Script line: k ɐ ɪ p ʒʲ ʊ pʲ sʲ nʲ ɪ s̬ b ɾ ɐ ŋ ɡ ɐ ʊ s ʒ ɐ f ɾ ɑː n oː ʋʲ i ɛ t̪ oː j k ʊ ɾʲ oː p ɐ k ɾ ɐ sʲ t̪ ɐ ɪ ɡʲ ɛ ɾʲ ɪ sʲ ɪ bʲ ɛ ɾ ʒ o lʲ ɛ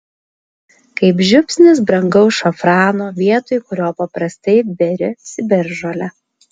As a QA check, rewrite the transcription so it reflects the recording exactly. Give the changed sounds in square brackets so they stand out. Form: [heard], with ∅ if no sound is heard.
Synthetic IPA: k ɐ ɪ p ʒʲ ʊ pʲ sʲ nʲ ɪ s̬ b ɾ ɐ ŋ ɡ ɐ ʊ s [ʃ] ɐ f ɾ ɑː n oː ʋʲ i ɛ t̪ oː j k ʊ ɾʲ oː p ɐ [p] ɾ ɐ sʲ t̪ ɐ ɪ [bʲ] ɛ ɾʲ ɪ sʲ ɪ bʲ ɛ ɾ ʒ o lʲ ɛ

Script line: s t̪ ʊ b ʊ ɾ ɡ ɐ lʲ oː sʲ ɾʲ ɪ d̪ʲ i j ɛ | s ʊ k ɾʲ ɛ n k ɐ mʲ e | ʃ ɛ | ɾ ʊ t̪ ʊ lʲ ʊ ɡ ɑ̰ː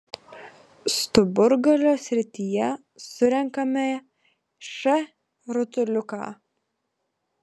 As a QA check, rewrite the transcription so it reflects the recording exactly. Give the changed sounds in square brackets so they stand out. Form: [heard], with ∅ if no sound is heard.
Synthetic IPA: s t̪ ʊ b ʊ ɾ ɡ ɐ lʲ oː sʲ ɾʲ ɪ [t̪ʲ] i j ɛ | s ʊ [∅] ɾʲ ɛ [ŋ] k ɐ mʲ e | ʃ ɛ | ɾ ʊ t̪ ʊ lʲ ʊ [k] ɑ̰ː

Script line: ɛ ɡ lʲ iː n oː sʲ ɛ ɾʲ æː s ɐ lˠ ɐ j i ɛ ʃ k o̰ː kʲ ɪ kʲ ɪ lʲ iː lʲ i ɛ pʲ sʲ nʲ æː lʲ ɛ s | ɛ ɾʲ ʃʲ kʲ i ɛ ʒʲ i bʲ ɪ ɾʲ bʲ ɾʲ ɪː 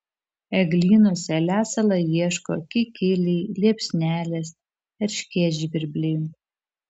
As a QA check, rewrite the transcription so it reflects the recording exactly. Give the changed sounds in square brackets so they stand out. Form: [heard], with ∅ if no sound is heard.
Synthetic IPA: ɛ ɡ lʲ iː n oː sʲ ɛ [lʲ] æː s ɐ lˠ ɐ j i ɛ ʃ k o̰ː kʲ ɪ kʲ ɪ lʲ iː lʲ i ɛ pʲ sʲ nʲ æː lʲ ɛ s | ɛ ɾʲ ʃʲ kʲ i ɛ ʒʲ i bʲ ɪ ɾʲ bʲ [lʲ] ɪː

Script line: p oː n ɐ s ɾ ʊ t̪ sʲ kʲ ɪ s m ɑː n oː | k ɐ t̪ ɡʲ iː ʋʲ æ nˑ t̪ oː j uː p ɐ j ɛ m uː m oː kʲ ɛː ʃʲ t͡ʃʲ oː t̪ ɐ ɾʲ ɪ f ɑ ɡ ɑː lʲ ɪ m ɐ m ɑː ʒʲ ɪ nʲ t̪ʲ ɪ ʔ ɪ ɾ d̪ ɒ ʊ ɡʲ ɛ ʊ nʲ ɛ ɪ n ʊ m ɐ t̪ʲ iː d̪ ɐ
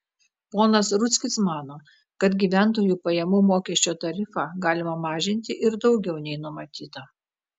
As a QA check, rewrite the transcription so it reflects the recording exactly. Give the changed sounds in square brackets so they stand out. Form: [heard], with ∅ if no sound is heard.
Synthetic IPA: p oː n ɐ s ɾ ʊ t̪ sʲ kʲ ɪ s m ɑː n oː | k ɐ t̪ ɡʲ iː ʋʲ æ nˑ t̪ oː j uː p ɐ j ɛ m uː m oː kʲ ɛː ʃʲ t͡ʃʲ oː t̪ ɐ ɾʲ ɪ f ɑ ɡ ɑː lʲ ɪ m ɐ m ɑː ʒʲ ɪ nʲ t̪ʲ ɪ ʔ ɪ ɾ d̪ ɒ ʊ ɡʲ ɛ ʊ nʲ ɛ ɪ n ʊ m ɐ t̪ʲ iː [t̪] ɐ

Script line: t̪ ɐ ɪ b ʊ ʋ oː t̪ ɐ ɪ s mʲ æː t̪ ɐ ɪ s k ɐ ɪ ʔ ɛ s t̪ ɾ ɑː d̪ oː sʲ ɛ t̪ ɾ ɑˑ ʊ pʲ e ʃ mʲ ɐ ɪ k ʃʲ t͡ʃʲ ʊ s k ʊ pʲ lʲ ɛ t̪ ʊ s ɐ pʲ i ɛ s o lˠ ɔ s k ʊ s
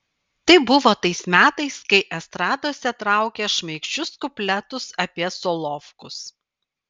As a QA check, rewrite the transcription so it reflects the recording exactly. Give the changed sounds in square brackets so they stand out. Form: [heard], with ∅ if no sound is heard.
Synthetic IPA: t̪ ɐ ɪ b ʊ ʋ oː t̪ ɐ ɪ s mʲ æː t̪ ɐ ɪ s k ɐ ɪ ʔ ɛ s t̪ ɾ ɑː d̪ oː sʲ ɛ t̪ ɾ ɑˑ ʊ [kʲ] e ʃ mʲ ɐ ɪ k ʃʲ t͡ʃʲ ʊ s k ʊ pʲ lʲ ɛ t̪ ʊ s ɐ pʲ i ɛ s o lˠ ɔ [f] k ʊ s

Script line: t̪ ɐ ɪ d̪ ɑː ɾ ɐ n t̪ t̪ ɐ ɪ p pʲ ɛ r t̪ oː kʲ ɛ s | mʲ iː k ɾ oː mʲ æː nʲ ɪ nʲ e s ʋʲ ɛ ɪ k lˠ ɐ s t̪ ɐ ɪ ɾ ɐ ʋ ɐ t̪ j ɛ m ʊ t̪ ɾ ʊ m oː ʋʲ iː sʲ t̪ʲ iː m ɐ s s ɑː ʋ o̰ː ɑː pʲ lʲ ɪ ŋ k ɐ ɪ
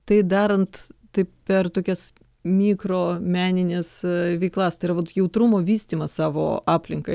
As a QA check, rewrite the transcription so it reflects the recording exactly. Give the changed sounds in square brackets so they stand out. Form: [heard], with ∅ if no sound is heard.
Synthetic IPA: t̪ ɐ ɪ d̪ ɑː ɾ ɐ n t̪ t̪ ɐ ɪ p pʲ ɛ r t̪ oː kʲ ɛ s | mʲ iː k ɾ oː mʲ æː nʲ ɪ nʲ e s ʋʲ ɛ ɪ k lˠ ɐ s t̪ ɐ ɪ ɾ ɐ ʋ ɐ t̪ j ɛ [∅] ʊ t̪ ɾ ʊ m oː ʋʲ iː sʲ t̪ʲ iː m ɐ s s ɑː ʋ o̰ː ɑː pʲ lʲ ɪ ŋ k ɐ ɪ

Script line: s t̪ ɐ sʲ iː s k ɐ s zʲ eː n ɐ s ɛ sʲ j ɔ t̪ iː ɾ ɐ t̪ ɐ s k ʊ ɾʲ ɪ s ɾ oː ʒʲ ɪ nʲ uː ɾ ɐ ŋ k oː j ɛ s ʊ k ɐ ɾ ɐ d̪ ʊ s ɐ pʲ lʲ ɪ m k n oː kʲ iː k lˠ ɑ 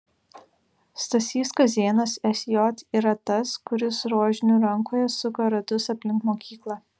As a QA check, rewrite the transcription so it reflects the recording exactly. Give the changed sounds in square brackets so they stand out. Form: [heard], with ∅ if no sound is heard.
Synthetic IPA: s t̪ ɐ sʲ iː s k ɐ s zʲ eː n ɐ s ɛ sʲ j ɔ t̪ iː ɾ ɐ t̪ ɐ s k ʊ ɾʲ ɪ s ɾ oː ʒʲ ɪ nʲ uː ɾ ɐ ŋ k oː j ɛ s ʊ k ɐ ɾ ɐ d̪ ʊ s ɐ pʲ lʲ ɪ [ŋ] k [m] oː kʲ iː k lˠ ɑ

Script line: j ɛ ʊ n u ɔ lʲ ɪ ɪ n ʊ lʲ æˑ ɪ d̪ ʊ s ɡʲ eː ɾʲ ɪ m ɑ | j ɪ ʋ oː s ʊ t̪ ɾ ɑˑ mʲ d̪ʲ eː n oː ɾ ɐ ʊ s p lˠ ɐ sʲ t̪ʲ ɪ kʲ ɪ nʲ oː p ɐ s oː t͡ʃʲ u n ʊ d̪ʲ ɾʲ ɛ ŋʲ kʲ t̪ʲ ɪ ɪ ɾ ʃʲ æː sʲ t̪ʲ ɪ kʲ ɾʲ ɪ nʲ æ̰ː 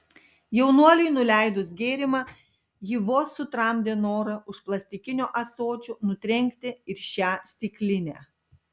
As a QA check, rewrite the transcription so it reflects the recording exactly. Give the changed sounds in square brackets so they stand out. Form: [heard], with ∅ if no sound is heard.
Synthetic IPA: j ɛ ʊ n u ɔ lʲ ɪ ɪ n ʊ lʲ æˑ ɪ d̪ ʊ s ɡʲ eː ɾʲ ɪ m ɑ | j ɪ ʋ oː s ʊ t̪ ɾ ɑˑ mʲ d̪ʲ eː n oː ɾ ɐ ʊ [ʃ] p lˠ ɐ sʲ t̪ʲ ɪ kʲ ɪ nʲ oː [ʔ] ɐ s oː t͡ʃʲ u n ʊ [t̪ʲ] ɾʲ ɛ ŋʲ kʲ t̪ʲ ɪ ɪ ɾ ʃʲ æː sʲ t̪ʲ ɪ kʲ [lʲ] ɪ nʲ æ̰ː

